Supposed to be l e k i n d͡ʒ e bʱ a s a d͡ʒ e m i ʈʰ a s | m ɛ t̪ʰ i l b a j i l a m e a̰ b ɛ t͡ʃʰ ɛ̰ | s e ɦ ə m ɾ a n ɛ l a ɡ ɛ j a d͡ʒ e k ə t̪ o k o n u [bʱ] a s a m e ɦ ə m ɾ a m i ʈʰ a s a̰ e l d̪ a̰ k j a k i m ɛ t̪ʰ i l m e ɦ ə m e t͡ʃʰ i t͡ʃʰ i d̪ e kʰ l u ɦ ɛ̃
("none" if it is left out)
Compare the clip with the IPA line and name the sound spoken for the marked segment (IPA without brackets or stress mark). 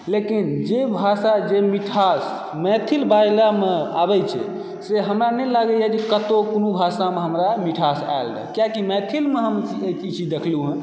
bʱ